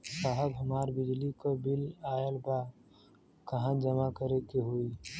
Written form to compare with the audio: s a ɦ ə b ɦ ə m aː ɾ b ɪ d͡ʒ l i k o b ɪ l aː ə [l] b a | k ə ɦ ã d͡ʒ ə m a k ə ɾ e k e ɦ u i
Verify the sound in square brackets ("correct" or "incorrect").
correct